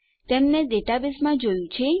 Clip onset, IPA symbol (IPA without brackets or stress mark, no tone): t̪